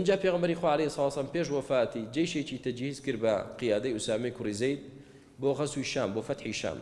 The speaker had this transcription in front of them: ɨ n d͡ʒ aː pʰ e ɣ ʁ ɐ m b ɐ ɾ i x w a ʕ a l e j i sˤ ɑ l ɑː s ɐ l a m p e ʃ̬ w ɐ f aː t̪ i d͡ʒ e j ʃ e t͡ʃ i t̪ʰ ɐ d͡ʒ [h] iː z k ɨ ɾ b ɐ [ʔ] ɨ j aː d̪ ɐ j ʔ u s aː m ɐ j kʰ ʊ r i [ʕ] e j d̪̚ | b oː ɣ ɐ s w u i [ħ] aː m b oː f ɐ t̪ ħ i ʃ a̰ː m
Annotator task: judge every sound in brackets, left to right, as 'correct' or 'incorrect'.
correct, incorrect, incorrect, incorrect

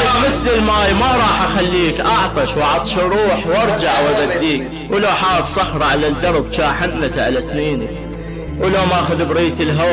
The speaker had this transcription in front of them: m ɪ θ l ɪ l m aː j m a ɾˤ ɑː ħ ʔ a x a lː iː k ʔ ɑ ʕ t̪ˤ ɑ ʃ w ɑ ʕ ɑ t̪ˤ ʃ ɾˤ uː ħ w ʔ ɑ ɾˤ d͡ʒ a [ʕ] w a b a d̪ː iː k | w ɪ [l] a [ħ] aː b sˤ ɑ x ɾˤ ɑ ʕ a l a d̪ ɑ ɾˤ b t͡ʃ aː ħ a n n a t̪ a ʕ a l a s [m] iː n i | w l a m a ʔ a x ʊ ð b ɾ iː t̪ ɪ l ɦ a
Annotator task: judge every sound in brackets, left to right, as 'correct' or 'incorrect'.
correct, correct, correct, incorrect

